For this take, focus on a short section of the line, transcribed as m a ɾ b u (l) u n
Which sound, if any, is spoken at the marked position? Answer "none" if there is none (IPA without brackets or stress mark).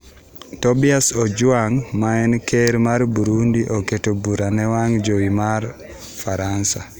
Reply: ɾ